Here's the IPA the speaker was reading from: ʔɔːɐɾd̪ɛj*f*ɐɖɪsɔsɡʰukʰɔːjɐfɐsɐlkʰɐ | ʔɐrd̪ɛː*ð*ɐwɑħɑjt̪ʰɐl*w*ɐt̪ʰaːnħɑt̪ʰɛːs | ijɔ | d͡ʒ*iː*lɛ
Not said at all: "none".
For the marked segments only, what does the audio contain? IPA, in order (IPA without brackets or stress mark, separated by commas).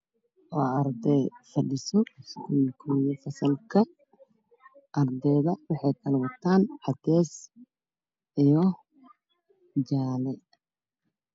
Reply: f, ð, w, aː